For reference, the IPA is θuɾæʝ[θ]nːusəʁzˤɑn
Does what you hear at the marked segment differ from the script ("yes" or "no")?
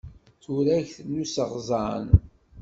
no